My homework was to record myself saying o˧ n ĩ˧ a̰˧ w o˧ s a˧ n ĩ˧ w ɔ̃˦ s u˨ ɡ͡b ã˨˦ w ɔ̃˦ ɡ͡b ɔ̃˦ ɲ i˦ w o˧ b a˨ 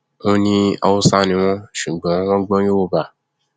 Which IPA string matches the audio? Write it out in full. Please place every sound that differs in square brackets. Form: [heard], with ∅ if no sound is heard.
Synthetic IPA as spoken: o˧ n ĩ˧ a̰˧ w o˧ s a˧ n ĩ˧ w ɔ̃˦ [ʃ] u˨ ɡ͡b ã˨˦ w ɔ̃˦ ɡ͡b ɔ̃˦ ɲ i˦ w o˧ b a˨